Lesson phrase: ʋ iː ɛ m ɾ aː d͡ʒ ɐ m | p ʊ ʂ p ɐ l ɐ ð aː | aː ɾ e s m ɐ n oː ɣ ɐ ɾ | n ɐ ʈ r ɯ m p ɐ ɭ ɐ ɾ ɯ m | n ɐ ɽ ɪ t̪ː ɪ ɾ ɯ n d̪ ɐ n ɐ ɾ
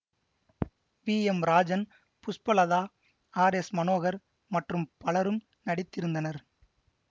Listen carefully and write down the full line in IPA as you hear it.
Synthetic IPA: ʋ iː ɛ m ɾ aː d͡ʒ ɐ n | p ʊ s p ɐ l ɐ ð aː | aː ɾ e s m ɐ n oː ɣ ɐ ɾ | m ɐ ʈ r ɯ m p ɐ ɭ ɐ ɾ ɯ m | n ɐ ɽ ɪ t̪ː ɪ ɾ ɯ n d̪ ɐ n ɐ ɾ